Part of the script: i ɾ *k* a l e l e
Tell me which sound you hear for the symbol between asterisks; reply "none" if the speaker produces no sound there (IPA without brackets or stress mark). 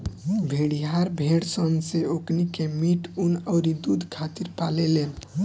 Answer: p